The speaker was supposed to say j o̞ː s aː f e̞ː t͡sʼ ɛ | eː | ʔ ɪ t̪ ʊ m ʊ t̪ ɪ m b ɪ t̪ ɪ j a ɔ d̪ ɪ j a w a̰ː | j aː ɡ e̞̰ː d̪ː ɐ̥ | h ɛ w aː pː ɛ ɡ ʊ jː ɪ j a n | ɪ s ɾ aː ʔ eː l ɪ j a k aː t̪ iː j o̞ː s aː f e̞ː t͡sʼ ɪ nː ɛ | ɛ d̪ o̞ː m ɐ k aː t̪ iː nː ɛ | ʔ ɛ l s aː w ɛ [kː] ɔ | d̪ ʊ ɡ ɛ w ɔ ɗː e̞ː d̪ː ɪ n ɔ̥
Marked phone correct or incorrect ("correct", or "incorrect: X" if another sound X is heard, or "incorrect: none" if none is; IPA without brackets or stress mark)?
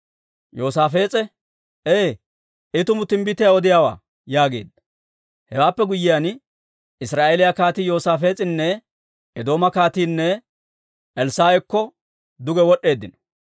correct